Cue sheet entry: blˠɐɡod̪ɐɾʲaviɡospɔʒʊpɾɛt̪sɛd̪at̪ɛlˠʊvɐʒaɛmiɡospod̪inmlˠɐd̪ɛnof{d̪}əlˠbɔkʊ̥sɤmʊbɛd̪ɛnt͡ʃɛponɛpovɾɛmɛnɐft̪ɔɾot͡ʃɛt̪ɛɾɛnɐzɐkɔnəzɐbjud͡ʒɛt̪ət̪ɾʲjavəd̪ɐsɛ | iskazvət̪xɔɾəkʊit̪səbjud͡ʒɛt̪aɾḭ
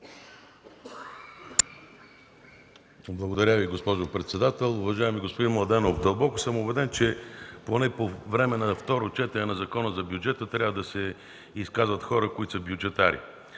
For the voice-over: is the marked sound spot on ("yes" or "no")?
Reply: yes